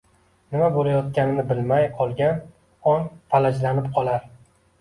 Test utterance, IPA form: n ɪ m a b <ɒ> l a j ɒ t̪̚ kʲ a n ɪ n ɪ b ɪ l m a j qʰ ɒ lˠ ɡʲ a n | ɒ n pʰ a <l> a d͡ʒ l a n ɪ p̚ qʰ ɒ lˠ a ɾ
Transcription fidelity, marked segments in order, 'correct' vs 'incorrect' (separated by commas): incorrect, correct